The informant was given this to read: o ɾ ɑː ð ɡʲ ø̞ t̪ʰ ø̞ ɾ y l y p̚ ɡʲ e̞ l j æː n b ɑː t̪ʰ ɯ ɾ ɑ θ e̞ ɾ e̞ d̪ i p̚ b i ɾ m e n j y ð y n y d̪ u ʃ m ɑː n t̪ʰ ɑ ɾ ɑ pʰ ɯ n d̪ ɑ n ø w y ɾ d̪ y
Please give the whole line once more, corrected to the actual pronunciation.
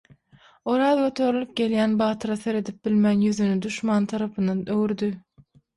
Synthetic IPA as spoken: o ɾ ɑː ð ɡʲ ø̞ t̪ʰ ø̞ ɾ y l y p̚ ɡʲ e̞ l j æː n b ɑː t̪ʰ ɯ ɾ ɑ θ e̞ ɾ e̞ d̪ i p̚ b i l m æ n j y ð y n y d̪ u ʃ m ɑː n t̪ʰ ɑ ɾ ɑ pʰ ɯ n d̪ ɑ n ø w y ɾ d̪ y

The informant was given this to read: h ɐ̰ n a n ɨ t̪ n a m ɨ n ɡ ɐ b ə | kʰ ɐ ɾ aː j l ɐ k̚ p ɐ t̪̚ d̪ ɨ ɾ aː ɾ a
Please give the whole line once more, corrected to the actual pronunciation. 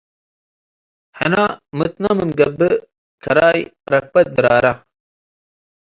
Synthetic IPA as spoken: h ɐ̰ n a m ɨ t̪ n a m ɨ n ɡ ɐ b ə | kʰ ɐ ɾ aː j ɾ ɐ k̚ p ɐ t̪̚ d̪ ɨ ɾ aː ɾ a

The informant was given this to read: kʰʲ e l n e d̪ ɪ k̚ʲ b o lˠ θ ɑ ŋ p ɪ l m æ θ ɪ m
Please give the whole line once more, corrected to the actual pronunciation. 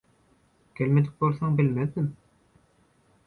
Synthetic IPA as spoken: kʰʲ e l m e d̪ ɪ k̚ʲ b o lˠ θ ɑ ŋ b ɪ l m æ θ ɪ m

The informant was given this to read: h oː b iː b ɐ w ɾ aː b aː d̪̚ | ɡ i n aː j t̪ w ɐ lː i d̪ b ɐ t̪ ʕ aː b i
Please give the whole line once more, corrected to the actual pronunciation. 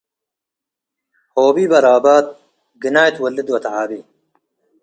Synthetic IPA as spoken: h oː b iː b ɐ ɾ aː b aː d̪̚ | ɡ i n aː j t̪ w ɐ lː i d̪ w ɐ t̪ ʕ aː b i

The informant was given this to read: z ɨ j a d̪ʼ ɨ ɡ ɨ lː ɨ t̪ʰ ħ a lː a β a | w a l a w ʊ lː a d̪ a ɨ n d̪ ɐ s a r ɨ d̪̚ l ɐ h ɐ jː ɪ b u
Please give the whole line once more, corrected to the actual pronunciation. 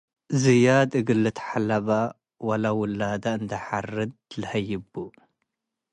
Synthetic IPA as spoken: z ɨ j a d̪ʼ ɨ ɡ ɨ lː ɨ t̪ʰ ħ a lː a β a | w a l a w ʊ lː a d̪ a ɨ n d̪ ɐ ħ a r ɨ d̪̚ l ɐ h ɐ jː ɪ b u

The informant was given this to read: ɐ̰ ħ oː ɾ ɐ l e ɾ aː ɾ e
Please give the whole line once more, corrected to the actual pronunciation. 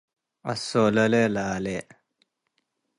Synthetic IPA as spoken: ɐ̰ s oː l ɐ l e l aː l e

